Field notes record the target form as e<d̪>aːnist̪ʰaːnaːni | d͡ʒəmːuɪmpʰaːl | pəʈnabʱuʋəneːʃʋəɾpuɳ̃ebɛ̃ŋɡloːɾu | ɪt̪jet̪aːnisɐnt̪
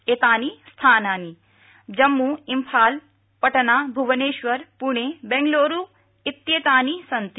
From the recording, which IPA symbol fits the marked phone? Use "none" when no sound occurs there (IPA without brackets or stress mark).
t̪